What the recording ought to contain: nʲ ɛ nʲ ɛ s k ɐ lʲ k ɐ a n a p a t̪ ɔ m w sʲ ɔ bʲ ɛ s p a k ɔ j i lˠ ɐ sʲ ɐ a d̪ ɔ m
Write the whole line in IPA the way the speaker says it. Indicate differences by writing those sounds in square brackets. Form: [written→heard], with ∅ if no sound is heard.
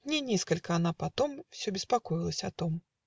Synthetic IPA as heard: nʲ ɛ nʲ ɛ s k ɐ lʲ k ɐ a n a p a t̪ ɔ m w sʲ ɔ bʲ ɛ s p a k ɔ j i lˠ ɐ sʲ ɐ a [d̪→t̪] ɔ m